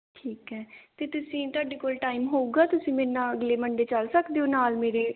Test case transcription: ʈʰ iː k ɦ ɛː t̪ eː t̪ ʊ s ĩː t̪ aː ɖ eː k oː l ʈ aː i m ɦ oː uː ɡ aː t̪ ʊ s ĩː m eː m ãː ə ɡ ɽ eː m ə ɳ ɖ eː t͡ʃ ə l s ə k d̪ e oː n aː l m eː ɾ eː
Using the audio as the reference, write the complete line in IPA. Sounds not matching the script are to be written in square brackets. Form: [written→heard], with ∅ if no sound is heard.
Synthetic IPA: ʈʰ iː k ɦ ɛː t̪ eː t̪ ʊ s ĩː t̪ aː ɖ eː k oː l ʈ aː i m ɦ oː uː ɡ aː t̪ ʊ s ĩː m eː [m→n] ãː ə ɡ [ɽ→l] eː m ə ɳ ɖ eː t͡ʃ ə l s ə k d̪ e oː n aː l m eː ɾ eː